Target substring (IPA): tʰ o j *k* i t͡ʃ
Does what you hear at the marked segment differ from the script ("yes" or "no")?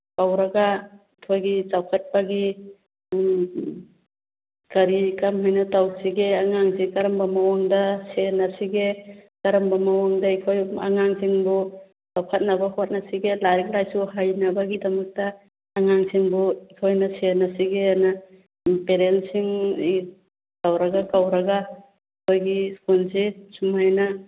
yes